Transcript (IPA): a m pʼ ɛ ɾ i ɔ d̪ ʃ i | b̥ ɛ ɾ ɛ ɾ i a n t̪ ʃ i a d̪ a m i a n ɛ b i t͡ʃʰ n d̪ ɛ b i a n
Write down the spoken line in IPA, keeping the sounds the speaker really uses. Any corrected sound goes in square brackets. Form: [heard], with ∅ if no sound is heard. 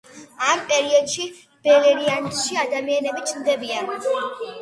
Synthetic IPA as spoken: a m pʼ ɛ ɾ i ɔ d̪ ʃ i | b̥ ɛ [l] ɛ ɾ i a n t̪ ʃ i a d̪ a m i a n ɛ b i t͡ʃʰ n d̪ ɛ b i a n